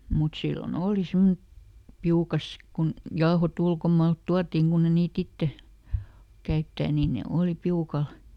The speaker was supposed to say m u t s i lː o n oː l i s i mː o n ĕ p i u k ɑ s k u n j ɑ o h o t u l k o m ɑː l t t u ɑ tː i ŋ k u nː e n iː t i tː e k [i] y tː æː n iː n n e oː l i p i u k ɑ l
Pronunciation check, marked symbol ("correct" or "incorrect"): incorrect